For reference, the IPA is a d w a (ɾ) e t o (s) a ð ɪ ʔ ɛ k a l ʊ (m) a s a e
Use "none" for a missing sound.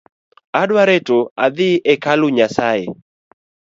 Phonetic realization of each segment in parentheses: ɾ, none, ɲ

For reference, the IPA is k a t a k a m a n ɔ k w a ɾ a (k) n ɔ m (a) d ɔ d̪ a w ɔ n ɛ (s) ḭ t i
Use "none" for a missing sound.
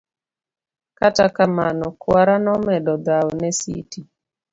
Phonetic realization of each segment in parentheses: none, ɛ, s

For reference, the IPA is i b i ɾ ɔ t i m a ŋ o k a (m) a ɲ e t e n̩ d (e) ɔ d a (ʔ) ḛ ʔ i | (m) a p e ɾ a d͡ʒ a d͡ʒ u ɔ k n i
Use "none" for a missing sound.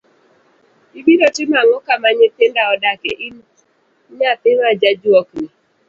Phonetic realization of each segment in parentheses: m, a, k, ɲ

